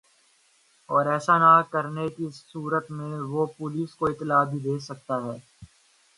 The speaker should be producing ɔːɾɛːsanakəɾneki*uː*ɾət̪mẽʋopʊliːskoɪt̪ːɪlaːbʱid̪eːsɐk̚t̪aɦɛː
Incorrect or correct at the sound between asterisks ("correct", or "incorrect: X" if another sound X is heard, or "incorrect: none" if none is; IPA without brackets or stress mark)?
correct